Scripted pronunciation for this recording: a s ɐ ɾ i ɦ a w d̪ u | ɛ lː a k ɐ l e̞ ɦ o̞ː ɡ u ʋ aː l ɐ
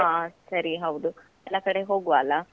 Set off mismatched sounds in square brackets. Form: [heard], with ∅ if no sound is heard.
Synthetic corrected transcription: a s ɐ ɾ i ɦ [ɐ] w d̪ u | ɛ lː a k ɐ [ɽ] e̞ ɦ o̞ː ɡ u ʋ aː l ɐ